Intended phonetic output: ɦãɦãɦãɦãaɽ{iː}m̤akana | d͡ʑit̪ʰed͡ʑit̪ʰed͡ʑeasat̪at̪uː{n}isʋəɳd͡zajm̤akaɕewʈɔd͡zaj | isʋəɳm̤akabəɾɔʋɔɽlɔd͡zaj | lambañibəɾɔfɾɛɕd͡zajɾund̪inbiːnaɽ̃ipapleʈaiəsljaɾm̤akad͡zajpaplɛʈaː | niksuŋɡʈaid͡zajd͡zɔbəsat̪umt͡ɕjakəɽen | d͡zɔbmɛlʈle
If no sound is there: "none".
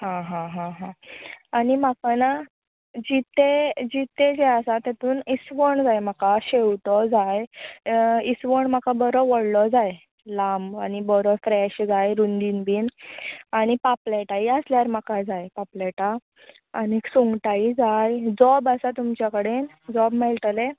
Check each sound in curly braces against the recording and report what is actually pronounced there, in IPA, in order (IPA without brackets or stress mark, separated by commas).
i, n